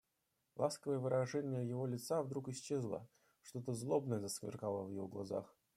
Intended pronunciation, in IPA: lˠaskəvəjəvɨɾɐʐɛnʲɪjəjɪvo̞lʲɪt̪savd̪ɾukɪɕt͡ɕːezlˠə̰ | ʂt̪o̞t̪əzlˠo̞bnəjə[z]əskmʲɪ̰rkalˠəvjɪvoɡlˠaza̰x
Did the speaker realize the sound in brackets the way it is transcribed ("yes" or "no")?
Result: yes